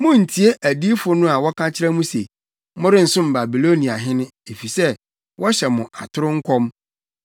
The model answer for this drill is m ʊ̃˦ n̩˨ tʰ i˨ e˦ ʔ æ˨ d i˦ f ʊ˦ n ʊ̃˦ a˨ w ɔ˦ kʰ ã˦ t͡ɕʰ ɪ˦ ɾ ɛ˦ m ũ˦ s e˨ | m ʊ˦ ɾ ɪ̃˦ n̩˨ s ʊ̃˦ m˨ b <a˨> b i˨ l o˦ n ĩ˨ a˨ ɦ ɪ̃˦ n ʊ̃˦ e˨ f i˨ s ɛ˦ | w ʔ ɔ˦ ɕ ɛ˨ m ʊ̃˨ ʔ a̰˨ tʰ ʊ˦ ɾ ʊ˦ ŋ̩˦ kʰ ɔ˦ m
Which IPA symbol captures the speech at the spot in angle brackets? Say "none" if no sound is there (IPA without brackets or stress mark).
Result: a˨